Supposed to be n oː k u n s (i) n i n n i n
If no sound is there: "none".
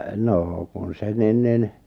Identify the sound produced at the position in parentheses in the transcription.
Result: e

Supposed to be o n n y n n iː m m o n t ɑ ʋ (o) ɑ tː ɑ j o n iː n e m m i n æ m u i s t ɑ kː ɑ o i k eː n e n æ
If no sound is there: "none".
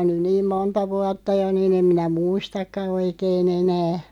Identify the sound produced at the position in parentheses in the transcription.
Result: u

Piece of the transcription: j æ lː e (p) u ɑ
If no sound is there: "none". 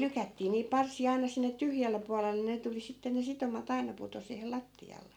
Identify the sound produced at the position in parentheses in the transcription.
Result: p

